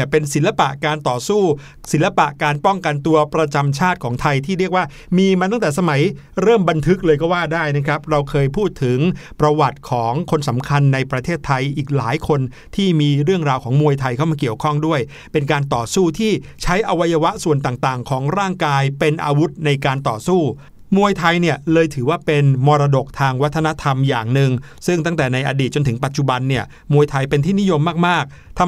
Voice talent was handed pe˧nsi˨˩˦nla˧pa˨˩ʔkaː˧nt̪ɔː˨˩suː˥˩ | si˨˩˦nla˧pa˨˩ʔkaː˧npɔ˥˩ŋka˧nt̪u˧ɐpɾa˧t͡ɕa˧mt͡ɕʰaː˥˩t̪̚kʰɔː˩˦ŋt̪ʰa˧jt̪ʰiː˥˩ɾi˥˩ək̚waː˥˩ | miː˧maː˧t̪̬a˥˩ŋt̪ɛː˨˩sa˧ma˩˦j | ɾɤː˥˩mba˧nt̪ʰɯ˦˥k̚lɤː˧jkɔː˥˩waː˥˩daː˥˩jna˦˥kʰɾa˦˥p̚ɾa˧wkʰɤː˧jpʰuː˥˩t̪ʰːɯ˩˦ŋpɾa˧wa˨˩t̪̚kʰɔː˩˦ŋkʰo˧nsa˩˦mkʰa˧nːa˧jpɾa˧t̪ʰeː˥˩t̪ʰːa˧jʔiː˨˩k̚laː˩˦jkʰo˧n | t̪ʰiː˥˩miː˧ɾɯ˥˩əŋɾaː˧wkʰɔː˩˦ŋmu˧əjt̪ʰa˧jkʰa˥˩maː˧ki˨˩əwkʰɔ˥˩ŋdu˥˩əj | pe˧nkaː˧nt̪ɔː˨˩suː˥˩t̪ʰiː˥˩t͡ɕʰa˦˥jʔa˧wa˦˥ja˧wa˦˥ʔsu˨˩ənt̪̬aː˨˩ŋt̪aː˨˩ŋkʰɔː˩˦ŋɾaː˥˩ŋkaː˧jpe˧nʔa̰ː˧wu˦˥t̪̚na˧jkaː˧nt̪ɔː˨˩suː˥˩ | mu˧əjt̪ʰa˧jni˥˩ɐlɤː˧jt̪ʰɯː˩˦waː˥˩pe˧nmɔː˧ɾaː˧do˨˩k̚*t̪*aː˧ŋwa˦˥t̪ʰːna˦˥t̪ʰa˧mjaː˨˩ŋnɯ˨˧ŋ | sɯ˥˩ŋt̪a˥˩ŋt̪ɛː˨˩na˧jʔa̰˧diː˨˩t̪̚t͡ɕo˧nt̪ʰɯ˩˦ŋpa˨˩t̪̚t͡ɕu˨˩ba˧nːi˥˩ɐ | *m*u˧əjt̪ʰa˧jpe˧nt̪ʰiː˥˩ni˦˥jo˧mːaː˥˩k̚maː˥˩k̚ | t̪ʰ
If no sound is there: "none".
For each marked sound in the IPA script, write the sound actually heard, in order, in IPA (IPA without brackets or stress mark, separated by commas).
t̪ʰ, m